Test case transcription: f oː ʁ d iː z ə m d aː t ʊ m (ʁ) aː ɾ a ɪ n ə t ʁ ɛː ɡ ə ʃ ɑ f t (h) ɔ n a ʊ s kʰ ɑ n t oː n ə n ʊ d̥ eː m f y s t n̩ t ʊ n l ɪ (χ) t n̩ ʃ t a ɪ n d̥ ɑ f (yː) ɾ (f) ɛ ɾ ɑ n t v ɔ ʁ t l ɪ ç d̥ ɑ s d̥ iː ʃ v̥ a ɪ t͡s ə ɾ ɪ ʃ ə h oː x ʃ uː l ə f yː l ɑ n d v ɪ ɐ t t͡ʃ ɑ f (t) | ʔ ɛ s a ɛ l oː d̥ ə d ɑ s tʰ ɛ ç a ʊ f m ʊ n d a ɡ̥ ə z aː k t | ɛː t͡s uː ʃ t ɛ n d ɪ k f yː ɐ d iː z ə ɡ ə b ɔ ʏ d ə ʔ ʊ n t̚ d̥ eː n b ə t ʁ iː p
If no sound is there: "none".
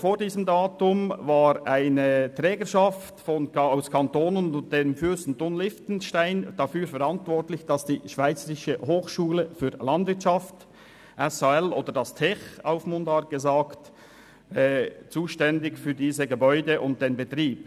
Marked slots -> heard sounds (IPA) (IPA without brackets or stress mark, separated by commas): v, f, f, yː, f, t